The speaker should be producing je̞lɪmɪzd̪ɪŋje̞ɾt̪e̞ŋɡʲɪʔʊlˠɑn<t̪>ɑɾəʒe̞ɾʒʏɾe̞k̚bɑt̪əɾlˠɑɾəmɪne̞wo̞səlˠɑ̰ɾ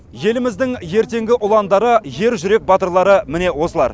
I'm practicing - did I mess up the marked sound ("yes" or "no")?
yes